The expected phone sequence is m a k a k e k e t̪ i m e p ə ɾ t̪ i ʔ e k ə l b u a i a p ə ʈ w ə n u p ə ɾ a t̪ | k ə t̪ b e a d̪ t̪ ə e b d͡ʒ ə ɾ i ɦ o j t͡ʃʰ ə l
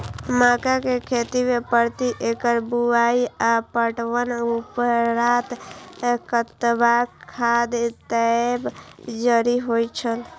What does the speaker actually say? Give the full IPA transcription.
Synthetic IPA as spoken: m a k a k e kʰ e t̪ i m e p ə ɾ t̪ i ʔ e k ə ɾ b u a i a p ə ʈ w ə n u p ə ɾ a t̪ | k ə t̪ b a a d̪ t̪ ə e b d͡ʒ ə ɾ i ɦ o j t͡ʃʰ ə l